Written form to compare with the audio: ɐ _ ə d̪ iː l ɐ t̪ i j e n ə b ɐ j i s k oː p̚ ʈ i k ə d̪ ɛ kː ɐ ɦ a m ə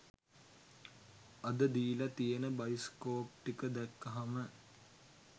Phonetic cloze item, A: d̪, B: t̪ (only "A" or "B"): A